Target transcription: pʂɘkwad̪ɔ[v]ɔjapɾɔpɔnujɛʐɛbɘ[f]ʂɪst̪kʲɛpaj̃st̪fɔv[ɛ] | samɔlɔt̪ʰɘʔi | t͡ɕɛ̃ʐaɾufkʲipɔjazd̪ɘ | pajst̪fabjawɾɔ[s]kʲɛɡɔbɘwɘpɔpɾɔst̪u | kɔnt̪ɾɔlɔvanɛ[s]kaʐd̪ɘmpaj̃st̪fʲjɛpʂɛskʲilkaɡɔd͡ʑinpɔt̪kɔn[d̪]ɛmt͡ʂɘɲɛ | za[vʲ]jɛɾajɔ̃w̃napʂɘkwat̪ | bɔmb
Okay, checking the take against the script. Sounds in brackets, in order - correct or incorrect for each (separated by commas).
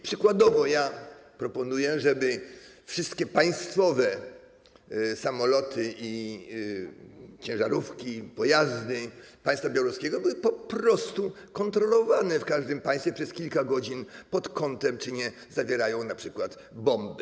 correct, correct, correct, correct, incorrect, incorrect, correct